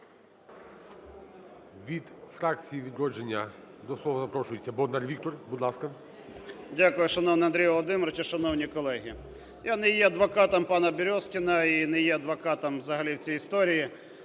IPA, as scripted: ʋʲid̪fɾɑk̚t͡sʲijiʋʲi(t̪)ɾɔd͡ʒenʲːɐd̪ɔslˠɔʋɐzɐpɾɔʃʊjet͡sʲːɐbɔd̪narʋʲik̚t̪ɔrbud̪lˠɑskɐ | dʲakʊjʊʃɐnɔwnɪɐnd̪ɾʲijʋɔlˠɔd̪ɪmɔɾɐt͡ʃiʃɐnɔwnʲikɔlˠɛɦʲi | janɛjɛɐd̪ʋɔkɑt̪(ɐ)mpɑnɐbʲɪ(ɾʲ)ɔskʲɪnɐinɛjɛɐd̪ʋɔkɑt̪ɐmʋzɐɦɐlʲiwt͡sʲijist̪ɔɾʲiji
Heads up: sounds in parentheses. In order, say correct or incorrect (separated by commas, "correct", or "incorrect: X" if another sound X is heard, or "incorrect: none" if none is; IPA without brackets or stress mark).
incorrect: d̪, correct, correct